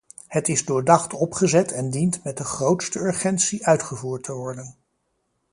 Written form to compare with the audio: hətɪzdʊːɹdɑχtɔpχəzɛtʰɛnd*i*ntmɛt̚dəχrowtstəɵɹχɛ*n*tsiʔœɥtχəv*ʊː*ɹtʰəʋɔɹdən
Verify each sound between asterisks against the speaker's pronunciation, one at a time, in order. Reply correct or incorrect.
correct, correct, incorrect

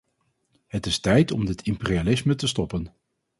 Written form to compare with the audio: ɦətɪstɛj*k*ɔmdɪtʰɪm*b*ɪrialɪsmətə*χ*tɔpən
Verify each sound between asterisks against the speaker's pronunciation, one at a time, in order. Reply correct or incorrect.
incorrect, incorrect, incorrect

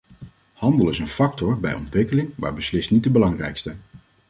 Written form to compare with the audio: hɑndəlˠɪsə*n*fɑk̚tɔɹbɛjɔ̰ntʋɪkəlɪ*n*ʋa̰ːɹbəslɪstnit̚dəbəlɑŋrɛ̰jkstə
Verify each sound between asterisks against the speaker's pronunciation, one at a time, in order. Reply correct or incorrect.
correct, incorrect

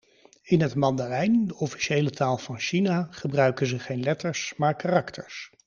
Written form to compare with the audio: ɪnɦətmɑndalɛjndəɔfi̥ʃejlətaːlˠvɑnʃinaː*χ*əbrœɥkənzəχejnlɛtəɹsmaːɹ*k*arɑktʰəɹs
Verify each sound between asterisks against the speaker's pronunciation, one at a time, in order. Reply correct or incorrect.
correct, correct

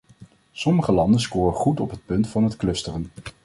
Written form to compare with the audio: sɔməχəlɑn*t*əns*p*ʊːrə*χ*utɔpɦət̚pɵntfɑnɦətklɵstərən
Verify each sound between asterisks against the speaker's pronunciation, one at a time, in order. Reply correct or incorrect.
incorrect, incorrect, correct

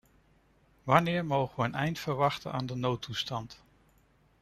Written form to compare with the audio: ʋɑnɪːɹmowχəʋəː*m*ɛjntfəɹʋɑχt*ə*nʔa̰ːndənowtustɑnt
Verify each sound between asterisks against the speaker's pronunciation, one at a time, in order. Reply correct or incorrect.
incorrect, correct

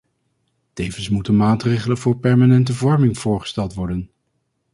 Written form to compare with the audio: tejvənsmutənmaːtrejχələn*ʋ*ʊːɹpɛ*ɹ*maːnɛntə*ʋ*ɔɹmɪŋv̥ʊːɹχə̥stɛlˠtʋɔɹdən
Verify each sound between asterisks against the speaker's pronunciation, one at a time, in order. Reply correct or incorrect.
incorrect, correct, incorrect

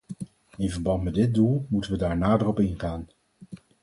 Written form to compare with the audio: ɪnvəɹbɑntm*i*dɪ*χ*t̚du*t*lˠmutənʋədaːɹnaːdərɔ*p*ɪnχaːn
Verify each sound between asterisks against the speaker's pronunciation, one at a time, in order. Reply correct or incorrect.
incorrect, incorrect, incorrect, correct

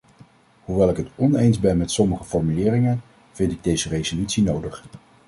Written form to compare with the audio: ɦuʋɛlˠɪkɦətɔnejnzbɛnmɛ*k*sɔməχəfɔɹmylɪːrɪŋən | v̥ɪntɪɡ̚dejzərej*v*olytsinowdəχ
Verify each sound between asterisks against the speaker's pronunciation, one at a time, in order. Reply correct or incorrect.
incorrect, incorrect

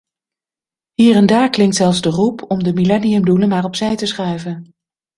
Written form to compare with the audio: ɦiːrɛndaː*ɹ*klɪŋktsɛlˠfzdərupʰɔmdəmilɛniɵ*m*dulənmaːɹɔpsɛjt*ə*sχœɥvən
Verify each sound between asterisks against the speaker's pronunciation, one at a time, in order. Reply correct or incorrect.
correct, correct, correct

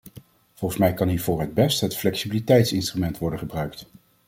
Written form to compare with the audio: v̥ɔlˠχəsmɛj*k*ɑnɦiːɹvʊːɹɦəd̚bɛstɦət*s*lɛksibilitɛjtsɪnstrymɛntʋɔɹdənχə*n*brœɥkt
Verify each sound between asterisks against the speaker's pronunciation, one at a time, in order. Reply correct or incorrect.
correct, incorrect, incorrect

